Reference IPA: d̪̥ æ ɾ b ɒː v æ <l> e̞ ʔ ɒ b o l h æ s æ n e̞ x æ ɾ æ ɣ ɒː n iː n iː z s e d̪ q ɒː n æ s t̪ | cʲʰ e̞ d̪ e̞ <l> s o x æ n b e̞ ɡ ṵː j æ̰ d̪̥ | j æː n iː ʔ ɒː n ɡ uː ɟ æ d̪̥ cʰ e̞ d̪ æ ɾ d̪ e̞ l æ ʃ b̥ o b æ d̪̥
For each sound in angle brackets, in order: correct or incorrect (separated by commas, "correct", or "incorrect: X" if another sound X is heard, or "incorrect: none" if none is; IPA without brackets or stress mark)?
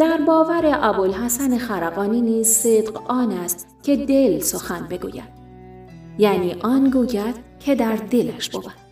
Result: incorrect: ɾ, correct